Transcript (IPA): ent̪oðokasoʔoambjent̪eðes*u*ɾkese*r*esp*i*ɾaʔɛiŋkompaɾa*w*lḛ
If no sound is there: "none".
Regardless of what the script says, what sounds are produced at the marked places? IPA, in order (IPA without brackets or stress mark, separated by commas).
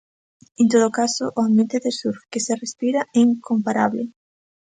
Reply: u, r, i, β